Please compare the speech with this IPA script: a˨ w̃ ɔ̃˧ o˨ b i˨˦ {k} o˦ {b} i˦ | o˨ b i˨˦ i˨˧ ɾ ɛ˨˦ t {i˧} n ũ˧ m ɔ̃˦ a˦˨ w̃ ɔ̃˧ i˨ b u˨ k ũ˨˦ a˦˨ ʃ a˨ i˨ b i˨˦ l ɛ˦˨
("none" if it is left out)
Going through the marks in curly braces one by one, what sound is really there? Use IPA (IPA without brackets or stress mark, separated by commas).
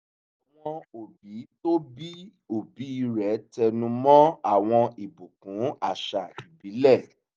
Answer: t, b, ɛ˧